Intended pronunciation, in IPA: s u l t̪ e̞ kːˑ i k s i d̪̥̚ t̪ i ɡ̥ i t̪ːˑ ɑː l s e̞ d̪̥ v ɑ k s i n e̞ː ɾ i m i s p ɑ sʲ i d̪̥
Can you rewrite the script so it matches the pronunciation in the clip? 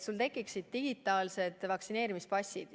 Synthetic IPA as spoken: s u l t̪ e̞ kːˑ i k s i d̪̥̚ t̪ i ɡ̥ i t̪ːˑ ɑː l s e̞ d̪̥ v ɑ k s i n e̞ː ɾ i m i s p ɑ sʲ i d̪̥